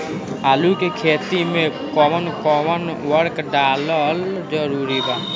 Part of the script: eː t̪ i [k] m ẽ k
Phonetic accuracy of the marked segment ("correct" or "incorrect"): incorrect